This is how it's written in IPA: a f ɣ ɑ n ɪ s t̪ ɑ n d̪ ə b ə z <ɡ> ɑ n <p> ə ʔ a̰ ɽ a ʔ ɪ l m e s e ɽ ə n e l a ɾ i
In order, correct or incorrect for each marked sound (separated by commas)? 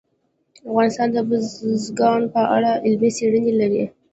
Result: correct, correct